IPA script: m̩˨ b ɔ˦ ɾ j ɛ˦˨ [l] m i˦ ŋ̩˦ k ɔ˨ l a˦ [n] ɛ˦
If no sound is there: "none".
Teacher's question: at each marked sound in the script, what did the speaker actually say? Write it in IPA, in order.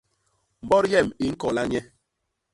none, ɲ

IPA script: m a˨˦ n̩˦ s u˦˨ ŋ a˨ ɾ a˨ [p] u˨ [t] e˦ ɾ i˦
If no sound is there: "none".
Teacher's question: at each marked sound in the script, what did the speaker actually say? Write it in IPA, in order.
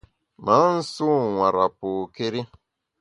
p, k

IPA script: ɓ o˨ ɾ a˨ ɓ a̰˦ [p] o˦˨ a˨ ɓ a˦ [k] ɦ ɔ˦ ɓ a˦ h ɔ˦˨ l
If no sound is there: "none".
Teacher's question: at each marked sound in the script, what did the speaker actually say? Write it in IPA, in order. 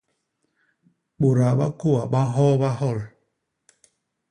k, none

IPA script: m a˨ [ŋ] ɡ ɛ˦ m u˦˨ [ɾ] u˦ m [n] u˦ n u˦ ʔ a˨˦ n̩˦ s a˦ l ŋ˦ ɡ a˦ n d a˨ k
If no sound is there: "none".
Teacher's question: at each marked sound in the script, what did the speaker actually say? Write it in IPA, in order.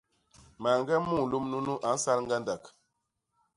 ŋ, l, n

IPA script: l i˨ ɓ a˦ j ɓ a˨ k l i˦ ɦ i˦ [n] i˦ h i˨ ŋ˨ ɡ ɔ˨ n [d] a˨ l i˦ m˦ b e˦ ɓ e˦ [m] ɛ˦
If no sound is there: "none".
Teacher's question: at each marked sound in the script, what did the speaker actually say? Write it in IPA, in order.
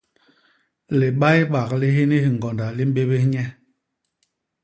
n, d, ɲ

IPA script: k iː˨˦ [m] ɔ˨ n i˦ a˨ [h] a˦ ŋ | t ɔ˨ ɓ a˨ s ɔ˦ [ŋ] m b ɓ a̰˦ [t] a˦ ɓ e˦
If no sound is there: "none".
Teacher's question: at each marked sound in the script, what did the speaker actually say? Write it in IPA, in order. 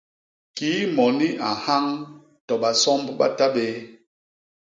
m, h, none, t

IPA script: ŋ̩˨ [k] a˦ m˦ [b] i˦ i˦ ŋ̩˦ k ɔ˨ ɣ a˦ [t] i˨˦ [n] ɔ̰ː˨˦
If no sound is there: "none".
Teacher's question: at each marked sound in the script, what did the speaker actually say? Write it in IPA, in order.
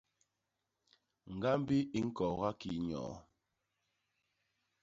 ɡ, b, k, ɲ

